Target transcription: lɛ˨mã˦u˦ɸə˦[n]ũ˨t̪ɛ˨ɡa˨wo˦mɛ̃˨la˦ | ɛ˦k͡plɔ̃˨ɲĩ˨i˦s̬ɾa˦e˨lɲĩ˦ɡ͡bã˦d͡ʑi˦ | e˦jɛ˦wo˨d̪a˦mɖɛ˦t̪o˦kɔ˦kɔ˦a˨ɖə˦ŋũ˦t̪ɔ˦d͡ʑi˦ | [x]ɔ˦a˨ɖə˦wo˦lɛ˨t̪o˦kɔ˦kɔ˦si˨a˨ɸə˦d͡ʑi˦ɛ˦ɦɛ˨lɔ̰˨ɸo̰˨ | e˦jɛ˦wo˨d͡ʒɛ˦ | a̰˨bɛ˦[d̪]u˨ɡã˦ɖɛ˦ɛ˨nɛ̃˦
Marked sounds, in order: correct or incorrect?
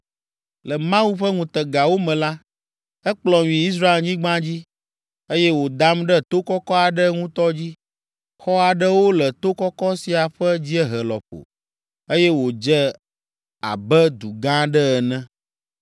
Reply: incorrect, correct, correct

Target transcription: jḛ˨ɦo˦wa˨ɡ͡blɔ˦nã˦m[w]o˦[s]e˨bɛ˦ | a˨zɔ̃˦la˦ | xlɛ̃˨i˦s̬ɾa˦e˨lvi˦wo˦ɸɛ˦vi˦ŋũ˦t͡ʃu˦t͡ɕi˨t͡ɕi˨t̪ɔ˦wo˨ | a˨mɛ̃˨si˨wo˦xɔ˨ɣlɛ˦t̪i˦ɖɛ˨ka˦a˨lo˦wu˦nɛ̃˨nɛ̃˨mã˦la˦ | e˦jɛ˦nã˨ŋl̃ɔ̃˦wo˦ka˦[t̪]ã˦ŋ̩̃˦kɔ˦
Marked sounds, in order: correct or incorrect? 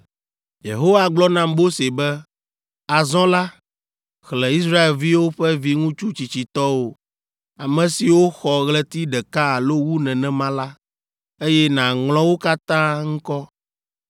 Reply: incorrect, correct, correct

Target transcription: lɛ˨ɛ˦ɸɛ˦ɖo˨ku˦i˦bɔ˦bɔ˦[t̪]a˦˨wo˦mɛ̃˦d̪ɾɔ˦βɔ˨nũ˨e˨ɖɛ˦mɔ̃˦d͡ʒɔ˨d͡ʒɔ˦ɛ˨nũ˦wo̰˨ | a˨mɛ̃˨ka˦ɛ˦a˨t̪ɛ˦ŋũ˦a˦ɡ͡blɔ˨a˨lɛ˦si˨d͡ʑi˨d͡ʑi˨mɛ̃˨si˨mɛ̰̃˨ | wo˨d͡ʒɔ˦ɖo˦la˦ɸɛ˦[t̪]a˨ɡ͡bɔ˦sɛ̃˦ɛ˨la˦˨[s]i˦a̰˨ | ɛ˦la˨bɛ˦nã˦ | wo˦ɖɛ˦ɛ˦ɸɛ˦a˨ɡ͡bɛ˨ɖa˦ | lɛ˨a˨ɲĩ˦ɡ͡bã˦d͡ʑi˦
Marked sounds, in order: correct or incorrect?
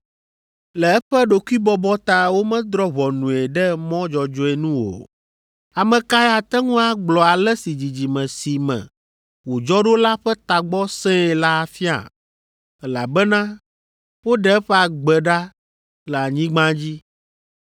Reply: correct, correct, incorrect

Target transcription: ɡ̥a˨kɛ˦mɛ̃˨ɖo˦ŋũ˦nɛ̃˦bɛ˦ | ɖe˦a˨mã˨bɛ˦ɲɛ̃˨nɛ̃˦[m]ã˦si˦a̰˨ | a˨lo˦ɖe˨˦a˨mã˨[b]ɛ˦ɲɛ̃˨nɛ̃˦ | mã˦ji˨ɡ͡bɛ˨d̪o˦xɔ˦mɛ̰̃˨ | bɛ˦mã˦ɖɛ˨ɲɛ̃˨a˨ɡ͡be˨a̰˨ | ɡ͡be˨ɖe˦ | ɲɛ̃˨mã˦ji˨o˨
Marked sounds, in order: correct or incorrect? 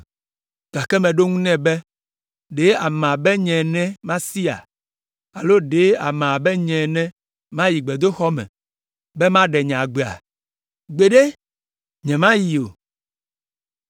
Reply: correct, correct

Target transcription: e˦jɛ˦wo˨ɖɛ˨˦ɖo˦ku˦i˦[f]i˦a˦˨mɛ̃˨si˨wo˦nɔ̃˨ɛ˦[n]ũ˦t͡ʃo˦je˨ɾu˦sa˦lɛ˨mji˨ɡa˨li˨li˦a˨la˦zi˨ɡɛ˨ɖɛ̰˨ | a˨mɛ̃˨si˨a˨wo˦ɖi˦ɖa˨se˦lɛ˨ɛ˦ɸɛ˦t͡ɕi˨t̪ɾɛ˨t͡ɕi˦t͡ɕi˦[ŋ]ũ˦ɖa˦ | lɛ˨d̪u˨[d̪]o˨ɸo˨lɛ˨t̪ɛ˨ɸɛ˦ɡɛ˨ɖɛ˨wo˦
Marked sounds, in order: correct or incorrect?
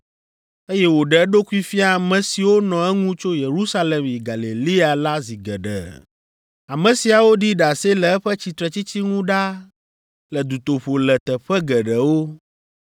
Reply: correct, incorrect, correct, incorrect

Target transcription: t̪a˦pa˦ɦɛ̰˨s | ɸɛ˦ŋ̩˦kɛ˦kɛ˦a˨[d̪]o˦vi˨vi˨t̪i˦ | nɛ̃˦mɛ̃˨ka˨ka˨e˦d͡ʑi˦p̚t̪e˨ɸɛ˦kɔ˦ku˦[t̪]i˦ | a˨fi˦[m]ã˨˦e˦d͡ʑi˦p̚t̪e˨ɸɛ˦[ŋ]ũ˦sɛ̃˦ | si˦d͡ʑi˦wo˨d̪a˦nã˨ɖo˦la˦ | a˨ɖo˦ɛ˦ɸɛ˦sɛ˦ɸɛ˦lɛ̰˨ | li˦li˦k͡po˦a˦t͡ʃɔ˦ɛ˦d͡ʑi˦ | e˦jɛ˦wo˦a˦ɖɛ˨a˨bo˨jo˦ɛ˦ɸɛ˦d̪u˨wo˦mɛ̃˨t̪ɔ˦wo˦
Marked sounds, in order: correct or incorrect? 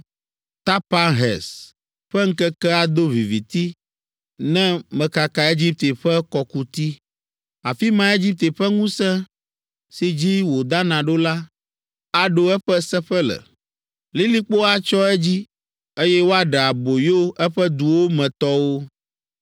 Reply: correct, correct, correct, correct

